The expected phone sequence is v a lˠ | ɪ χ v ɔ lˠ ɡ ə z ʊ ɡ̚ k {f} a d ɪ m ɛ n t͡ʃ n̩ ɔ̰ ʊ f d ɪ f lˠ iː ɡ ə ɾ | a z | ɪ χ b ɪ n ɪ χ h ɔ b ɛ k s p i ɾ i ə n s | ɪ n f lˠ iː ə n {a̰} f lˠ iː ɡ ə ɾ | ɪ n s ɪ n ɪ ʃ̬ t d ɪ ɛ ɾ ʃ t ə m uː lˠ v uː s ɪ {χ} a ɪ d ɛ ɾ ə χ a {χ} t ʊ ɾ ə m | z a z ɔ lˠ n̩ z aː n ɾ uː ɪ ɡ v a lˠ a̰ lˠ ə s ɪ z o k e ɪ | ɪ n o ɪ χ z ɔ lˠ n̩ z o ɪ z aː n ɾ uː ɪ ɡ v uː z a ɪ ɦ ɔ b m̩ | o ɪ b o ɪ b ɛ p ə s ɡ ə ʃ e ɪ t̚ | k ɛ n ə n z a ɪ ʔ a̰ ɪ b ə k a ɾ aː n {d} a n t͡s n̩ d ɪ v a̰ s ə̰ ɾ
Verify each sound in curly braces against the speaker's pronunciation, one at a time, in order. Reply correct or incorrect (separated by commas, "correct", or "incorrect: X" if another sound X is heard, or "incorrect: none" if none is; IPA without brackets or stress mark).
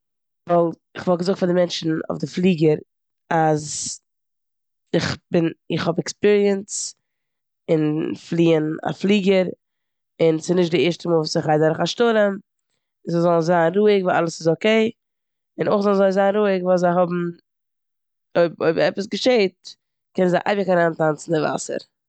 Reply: correct, correct, correct, incorrect: ʃ, incorrect: t